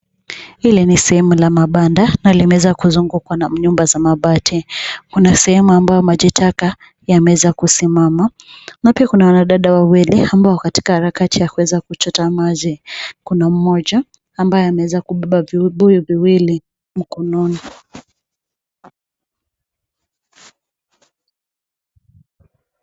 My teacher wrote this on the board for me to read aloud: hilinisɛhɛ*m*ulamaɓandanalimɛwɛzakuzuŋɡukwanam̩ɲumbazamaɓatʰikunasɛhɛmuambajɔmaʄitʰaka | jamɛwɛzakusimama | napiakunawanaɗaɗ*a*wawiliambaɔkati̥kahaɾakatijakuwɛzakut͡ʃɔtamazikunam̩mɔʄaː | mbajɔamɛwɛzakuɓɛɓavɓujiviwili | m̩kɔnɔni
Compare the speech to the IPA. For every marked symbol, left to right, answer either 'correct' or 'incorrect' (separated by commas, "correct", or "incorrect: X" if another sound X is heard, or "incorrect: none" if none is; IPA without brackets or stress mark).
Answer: correct, correct